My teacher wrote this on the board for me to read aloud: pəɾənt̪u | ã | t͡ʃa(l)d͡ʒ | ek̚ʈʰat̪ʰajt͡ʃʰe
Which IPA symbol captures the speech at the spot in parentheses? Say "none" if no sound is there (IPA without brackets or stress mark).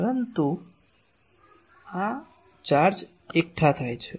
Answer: ɾ